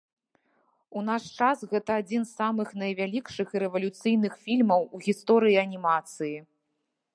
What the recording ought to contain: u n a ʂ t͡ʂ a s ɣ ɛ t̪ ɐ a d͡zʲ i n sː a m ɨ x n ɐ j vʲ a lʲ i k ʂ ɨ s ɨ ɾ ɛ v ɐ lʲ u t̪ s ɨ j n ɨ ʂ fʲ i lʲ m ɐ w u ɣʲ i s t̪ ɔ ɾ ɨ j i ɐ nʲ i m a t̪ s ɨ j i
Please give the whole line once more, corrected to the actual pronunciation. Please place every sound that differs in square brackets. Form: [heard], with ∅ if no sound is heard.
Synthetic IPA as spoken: u n a ʂ t͡ʂ a s ɣ ɛ t̪ ɐ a d͡zʲ i n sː a m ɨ x n ɐ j vʲ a lʲ i k ʂ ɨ [x] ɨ ɾ ɛ v ɐ lʲ u t̪ s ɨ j n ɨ [x] fʲ i lʲ m ɐ w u ɣʲ i s t̪ ɔ ɾ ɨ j i ɐ nʲ i m a t̪ s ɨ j i